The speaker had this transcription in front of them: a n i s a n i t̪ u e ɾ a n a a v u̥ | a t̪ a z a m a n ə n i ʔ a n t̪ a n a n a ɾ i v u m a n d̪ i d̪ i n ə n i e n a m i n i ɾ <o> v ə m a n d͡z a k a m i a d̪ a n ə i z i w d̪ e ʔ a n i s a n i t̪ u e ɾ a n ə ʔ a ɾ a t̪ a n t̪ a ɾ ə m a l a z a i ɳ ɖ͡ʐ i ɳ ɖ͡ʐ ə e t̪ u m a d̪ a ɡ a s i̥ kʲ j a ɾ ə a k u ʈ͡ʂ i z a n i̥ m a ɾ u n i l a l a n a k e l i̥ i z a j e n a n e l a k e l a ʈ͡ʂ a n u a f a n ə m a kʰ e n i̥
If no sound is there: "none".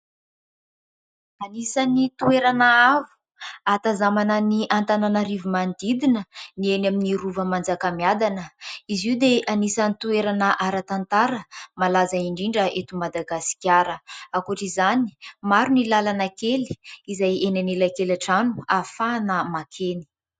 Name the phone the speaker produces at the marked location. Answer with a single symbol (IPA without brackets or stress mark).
u